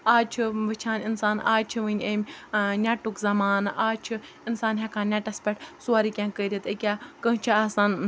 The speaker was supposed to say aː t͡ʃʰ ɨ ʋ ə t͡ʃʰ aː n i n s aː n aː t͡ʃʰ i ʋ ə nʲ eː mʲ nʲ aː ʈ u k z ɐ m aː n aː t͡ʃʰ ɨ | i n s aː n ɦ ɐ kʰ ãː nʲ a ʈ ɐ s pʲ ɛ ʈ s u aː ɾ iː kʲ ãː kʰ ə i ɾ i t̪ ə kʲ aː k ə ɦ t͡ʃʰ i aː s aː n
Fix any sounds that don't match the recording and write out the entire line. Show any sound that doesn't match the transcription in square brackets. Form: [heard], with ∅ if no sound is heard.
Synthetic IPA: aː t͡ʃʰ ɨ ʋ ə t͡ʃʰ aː n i n s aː n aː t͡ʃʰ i ʋ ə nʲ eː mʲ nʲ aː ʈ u k z ɐ m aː n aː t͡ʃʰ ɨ | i n s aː n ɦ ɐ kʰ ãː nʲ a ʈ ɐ s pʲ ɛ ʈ s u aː ɾ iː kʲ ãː [k] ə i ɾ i t̪ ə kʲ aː k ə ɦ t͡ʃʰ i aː s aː n